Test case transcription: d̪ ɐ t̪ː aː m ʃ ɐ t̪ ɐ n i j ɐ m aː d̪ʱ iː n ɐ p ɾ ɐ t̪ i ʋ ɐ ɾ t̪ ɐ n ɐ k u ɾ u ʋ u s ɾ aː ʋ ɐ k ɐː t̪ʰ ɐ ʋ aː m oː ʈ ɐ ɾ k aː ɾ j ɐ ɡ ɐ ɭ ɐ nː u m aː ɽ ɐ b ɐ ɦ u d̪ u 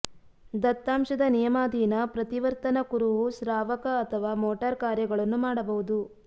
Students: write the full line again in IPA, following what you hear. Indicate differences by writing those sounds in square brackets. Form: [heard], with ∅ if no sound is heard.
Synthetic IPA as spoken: d̪ ɐ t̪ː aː m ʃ ɐ [d̪] ɐ n i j ɐ m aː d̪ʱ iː n ɐ p ɾ ɐ t̪ i ʋ ɐ ɾ t̪ ɐ n ɐ k u ɾ u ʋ u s ɾ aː ʋ ɐ k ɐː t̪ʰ ɐ ʋ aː m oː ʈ ɐ ɾ k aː ɾ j ɐ ɡ ɐ ɭ ɐ nː u m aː ɽ ɐ b ɐ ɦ u d̪ u

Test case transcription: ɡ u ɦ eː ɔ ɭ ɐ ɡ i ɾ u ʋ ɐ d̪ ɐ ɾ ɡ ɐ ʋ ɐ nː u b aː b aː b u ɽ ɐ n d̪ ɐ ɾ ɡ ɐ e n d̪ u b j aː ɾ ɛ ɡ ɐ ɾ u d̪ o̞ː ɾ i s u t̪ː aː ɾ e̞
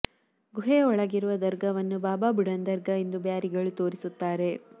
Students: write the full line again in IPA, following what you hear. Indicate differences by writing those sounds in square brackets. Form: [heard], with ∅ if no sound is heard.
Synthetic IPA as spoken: ɡ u ɦ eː ɔ ɭ ɐ ɡ i ɾ u ʋ ɐ d̪ ɐ ɾ ɡ ɐ ʋ ɐ nː u b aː b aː b u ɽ ɐ n d̪ ɐ ɾ ɡ ɐ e n d̪ u b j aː ɾ [i] ɡ ɐ [ɭ] u [t̪] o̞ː ɾ i s u t̪ː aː ɾ e̞

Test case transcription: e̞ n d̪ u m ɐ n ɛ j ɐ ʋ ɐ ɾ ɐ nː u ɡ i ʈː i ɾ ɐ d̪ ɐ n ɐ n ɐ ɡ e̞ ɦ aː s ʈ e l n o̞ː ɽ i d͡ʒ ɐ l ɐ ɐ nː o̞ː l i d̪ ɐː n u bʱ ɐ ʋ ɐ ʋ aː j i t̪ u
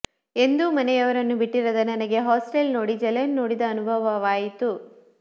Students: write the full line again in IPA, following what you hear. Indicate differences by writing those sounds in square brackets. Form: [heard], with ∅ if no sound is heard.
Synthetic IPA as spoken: e̞ n d̪ u m ɐ n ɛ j ɐ ʋ ɐ ɾ ɐ nː u [b] i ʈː i ɾ ɐ d̪ ɐ n ɐ n ɐ ɡ e̞ ɦ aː s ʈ e l n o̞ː ɽ i d͡ʒ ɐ l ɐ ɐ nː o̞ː [ɽ] i d̪ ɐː n u bʱ ɐ ʋ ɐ ʋ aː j i t̪ u

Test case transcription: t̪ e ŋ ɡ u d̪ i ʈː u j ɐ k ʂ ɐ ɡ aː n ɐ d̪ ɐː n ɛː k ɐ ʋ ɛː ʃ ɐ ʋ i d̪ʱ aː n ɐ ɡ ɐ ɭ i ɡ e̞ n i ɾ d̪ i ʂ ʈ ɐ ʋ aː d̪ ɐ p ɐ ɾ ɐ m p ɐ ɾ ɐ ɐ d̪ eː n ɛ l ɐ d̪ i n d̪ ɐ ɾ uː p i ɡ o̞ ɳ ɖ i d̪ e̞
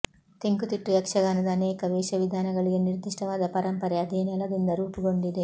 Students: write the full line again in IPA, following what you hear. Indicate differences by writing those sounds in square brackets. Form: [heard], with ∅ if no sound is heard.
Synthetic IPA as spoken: t̪ e ŋ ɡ u [t̪] i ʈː u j ɐ k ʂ ɐ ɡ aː n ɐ d̪ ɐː n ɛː k ɐ ʋ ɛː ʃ ɐ ʋ i d̪ʱ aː n ɐ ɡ ɐ ɭ i ɡ e̞ n i ɾ d̪ i ʂ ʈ ɐ ʋ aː d̪ ɐ p ɐ ɾ ɐ m p ɐ ɾ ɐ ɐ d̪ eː n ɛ l ɐ d̪ i n d̪ ɐ ɾ uː p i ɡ o̞ ɳ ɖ i d̪ e̞

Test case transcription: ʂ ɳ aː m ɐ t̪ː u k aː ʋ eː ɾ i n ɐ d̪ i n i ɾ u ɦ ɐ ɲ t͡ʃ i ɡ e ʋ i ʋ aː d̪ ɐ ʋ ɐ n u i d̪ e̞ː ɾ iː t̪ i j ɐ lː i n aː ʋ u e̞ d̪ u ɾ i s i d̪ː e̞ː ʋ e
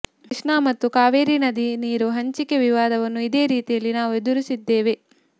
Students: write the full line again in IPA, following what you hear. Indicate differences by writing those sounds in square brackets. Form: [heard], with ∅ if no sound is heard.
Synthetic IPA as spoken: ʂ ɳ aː m ɐ t̪ː u k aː ʋ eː ɾ i n ɐ d̪ i n [iː] ɾ u ɦ ɐ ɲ t͡ʃ i [k] e ʋ i ʋ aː d̪ ɐ ʋ ɐ [nː] u i d̪ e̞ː ɾ iː t̪ i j ɐ lː i n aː ʋ u e̞ d̪ u ɾ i s i d̪ː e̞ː ʋ e

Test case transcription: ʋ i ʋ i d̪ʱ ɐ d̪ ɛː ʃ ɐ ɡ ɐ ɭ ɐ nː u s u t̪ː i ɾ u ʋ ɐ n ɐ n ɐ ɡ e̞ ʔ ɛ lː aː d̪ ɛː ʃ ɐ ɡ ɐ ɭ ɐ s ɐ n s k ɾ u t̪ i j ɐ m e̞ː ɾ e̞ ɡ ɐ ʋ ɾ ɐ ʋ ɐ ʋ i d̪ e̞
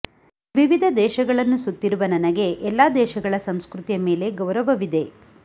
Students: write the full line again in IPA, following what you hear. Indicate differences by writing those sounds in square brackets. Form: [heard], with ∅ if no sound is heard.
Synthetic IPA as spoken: ʋ i ʋ i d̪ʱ ɐ d̪ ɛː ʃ ɐ ɡ ɐ ɭ ɐ nː u s u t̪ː i ɾ u ʋ ɐ n ɐ n ɐ ɡ e̞ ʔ ɛ lː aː d̪ ɛː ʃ ɐ ɡ ɐ ɭ ɐ s ɐ [m] s k ɾ u t̪ i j ɐ m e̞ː [l] e̞ ɡ ɐ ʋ ɾ ɐ ʋ ɐ ʋ i d̪ e̞

